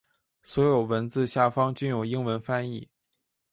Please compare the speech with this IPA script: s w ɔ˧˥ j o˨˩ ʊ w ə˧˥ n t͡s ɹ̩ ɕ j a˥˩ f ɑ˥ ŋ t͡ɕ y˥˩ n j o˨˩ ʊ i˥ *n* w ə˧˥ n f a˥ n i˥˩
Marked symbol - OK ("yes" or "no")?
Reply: no